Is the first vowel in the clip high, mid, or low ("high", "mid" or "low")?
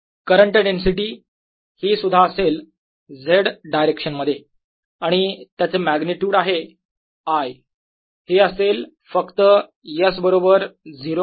mid